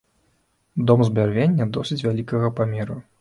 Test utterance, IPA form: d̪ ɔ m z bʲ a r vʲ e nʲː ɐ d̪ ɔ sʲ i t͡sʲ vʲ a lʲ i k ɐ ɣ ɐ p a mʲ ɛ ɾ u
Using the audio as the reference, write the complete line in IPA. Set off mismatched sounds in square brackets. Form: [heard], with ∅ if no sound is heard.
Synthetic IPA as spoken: d̪ ɔ m z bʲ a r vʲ e nʲː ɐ d̪ ɔ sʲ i t͡sʲ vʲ a lʲ i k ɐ ɣ ɐ p a mʲ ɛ ɾ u